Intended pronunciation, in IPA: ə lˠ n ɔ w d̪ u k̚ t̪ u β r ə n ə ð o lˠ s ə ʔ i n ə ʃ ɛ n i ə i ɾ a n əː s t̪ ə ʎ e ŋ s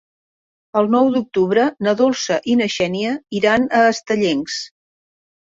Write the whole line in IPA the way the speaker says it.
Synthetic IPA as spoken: ə lˠ n ɔ w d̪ u k̚ t̪ u β ɾ ə n ə ð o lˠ s ə ʔ i n ə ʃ ɛ n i ə i ɾ a n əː s t̪ ə ʎ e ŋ s